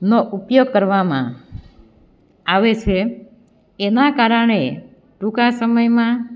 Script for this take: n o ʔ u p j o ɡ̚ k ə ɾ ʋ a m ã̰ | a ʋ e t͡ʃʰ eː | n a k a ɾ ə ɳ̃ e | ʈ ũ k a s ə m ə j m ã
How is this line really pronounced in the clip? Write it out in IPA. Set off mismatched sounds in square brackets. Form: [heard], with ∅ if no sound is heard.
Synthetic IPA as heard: n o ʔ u p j o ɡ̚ k ə ɾ ʋ a m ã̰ | a ʋ e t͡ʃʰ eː | n a k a ɾ ə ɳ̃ e | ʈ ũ k a s ə m ə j m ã